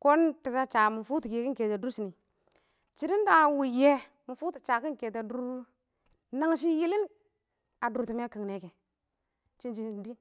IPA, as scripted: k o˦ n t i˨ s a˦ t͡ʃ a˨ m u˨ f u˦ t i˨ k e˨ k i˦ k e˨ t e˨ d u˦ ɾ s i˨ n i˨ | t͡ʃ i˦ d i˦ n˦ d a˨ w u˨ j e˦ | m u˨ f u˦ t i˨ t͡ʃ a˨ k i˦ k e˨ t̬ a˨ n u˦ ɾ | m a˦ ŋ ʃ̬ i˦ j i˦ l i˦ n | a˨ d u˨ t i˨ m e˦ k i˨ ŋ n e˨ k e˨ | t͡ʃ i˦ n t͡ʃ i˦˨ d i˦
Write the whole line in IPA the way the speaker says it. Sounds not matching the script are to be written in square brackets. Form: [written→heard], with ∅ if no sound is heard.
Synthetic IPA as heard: k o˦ n t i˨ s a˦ t͡ʃ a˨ m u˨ f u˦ t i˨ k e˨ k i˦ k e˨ t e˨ d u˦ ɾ s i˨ n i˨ | t͡ʃ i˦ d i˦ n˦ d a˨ w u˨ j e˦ | m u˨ f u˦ t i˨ t͡ʃ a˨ k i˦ k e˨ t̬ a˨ [n→d] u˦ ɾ | [m→n] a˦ ŋ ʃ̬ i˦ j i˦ l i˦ n | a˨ d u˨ t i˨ m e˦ k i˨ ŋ n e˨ k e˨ | t͡ʃ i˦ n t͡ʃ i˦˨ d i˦